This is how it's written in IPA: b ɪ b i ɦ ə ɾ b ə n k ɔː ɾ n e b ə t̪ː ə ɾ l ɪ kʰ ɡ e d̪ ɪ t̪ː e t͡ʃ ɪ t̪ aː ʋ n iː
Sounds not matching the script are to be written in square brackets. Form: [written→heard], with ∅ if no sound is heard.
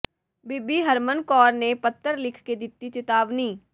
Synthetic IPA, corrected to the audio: b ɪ b i ɦ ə ɾ [b→m] ə n k ɔː ɾ n e [b→p] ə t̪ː ə ɾ l ɪ kʰ [ɡ→k] e d̪ ɪ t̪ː [e→i] t͡ʃ ɪ t̪ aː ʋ n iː